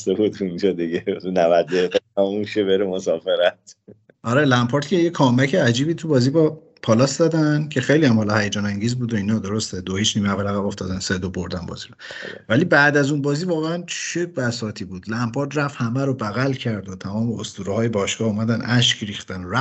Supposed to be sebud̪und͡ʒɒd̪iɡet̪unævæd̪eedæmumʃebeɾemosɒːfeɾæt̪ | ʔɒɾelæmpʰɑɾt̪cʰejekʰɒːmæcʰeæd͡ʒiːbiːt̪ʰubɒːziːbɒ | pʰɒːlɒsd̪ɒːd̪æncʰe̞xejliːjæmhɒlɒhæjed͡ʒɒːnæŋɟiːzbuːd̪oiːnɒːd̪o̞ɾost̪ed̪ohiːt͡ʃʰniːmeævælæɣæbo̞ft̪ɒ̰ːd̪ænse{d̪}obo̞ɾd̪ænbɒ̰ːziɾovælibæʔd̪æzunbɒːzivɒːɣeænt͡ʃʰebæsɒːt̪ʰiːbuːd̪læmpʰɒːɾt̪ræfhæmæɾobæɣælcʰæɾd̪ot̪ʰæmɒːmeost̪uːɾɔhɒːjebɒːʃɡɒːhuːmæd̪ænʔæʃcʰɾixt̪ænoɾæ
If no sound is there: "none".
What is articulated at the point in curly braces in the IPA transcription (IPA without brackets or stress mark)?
d̪